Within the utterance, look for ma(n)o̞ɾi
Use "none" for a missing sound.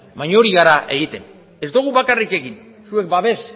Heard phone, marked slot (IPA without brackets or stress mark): ɲ